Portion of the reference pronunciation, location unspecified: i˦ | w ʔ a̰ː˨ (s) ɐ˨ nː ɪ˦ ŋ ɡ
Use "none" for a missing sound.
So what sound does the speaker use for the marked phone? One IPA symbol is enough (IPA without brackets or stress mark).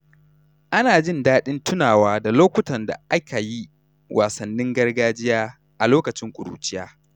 s